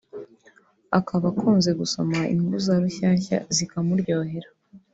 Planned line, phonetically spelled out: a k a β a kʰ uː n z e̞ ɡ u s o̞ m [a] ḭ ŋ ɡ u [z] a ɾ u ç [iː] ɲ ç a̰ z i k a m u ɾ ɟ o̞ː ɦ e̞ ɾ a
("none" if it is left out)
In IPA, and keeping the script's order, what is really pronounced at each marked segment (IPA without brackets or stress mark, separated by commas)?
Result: a, z, aː